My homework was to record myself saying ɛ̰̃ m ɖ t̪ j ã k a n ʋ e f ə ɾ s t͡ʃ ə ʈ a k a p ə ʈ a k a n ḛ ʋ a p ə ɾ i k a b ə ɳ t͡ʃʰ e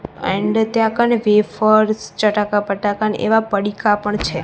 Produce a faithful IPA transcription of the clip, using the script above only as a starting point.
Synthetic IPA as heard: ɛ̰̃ ɳ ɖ t̪ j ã k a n ʋ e f ə ɾ s t͡ʃ ə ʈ a k a p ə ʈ a k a n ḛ ʋ a p ə ɽ i k a p ə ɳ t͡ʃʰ e